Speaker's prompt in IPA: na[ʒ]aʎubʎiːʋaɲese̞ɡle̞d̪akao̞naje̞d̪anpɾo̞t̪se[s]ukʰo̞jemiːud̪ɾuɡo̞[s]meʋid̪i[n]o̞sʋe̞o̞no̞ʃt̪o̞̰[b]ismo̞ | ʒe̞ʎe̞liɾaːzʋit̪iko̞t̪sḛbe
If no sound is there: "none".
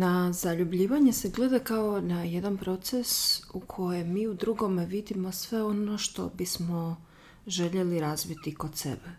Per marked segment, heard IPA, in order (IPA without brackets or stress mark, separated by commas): z, s, none, m, b